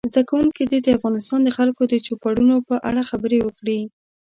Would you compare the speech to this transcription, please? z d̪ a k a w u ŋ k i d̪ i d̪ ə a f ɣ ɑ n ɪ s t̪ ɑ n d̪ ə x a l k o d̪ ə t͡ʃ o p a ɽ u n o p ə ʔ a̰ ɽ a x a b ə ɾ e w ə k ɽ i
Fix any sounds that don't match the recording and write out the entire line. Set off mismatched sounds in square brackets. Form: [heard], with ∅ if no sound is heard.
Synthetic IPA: z d̪ a k a w u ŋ k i d̪ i d̪ ə a f ɣ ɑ n ɪ s t̪ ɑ n d̪ ə x a l k o d̪ ə t͡ʃ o p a ɽ u n o p ə ʔ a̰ ɽ a x a b ə ɾ e w ə k ɽ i